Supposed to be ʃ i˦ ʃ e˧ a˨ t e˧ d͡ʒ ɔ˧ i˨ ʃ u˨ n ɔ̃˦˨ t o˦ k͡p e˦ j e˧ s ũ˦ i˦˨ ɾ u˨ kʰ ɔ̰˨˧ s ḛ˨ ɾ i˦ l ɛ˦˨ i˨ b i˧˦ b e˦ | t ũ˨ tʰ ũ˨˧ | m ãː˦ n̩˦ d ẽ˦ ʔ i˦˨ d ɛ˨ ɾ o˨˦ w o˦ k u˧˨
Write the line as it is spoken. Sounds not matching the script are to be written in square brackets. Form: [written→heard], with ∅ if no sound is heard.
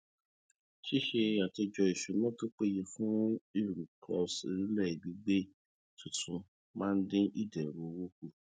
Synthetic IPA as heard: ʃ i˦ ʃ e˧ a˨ t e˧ d͡ʒ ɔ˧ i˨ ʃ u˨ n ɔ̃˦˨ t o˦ k͡p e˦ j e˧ [s→f] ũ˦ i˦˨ ɾ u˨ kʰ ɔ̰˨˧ s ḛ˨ ɾ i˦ l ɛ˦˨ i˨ b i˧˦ [b→ɡ͡b] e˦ | t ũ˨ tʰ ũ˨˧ | m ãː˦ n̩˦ d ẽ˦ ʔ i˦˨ d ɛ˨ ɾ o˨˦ w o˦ k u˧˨